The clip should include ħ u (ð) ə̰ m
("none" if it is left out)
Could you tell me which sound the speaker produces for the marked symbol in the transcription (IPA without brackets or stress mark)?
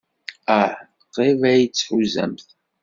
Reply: z